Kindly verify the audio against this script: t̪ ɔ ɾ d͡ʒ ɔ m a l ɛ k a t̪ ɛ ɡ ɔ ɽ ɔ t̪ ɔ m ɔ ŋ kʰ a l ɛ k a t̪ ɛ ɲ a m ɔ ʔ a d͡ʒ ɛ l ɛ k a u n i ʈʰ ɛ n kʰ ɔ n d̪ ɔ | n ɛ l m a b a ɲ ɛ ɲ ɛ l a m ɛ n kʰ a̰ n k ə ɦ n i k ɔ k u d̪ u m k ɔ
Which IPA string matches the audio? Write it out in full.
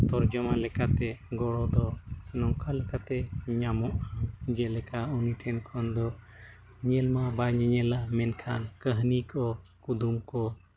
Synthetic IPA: t̪ ɔ ɾ d͡ʒ ɔ m a l ɛ k a t̪ ɛ ɡ ɔ ɽ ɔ d̪ ɔ n ɔ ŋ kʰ a l ɛ k a t̪ ɛ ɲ a m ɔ ʔ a d͡ʒ ɛ l ɛ k a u n i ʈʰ ɛ n kʰ ɔ n d̪ ɔ | ɲ ɛ l m a b a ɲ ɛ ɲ ɛ l a m ɛ n kʰ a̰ n k ə ɦ n i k ɔ k u d̪ u m k ɔ